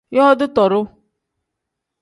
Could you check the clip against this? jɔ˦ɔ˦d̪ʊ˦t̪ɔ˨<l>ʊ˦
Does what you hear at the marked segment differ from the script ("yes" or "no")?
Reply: yes